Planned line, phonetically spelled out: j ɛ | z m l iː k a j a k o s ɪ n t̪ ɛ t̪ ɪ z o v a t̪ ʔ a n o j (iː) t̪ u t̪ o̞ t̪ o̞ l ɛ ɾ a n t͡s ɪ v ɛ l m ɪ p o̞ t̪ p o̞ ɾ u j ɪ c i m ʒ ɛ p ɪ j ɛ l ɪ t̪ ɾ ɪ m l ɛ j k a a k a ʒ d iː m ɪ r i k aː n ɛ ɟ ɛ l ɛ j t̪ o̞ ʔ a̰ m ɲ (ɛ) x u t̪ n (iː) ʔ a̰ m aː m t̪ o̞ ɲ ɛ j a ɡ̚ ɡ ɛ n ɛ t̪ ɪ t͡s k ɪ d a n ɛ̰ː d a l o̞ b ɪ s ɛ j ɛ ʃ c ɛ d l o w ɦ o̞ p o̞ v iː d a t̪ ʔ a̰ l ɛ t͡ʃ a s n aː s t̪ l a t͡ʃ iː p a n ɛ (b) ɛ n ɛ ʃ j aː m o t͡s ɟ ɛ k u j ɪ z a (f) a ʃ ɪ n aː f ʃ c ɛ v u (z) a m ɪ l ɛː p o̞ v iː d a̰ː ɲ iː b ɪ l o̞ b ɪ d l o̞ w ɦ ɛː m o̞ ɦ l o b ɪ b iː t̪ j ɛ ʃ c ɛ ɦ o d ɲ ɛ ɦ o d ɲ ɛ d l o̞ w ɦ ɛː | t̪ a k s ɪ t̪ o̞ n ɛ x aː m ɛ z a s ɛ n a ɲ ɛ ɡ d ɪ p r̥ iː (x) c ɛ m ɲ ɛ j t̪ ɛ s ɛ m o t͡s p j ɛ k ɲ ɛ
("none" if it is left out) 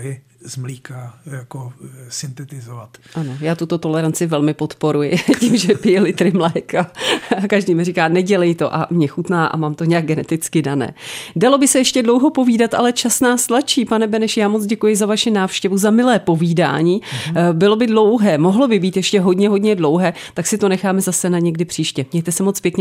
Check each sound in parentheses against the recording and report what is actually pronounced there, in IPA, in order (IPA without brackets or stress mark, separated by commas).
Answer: aː, ɛ, aː, b, v, z, ʃ